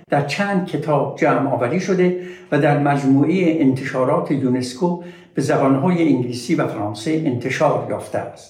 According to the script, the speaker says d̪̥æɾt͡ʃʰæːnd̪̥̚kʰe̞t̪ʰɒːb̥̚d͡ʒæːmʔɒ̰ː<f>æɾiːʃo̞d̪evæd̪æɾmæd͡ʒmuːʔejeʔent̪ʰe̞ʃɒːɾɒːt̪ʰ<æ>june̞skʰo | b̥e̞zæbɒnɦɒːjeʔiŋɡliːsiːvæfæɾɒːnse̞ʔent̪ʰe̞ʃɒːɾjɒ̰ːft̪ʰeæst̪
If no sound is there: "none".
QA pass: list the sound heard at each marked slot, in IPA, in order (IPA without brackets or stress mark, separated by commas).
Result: v, e